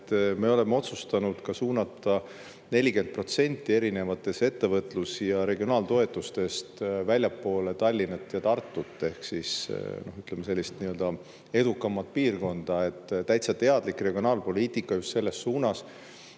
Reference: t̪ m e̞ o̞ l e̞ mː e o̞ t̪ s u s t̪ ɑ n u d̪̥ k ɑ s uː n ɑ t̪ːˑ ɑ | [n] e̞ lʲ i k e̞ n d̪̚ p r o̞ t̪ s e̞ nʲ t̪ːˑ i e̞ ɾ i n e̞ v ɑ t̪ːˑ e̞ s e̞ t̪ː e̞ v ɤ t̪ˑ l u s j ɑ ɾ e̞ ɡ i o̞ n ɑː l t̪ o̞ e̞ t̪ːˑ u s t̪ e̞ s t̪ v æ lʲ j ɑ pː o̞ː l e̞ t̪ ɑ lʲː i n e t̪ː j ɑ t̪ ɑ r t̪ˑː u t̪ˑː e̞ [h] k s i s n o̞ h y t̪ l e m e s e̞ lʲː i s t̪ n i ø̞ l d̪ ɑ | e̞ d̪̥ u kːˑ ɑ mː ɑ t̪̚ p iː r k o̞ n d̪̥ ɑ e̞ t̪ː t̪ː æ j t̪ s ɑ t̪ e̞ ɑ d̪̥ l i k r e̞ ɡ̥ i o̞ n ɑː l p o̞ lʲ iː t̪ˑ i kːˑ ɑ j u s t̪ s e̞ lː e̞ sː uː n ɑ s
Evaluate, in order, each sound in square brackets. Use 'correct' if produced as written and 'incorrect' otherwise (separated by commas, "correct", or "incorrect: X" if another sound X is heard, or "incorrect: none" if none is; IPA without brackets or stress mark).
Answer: correct, correct